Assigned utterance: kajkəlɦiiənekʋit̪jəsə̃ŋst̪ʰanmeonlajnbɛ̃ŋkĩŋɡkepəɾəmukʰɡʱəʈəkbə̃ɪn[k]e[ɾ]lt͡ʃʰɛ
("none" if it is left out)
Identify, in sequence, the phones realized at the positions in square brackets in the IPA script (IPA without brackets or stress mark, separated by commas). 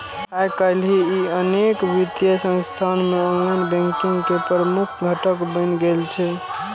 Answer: ɡ, none